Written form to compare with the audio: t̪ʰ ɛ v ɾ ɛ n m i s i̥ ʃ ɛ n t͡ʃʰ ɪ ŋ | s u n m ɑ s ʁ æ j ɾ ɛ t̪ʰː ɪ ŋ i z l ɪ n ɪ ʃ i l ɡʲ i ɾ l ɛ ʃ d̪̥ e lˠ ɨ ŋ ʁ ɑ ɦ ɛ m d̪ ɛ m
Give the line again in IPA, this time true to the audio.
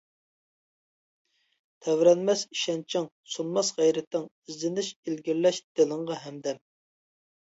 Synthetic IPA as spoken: t̪ʰ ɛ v ɾ ɛ n m ɛ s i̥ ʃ ɛ n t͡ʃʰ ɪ ŋ | s u n m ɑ s ʁ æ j ɾ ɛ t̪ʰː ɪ ŋ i z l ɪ n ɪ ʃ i l ɡʲ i ɾ l ɛ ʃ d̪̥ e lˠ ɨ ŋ ʁ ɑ ɦ ɛ m d̪ ɛ m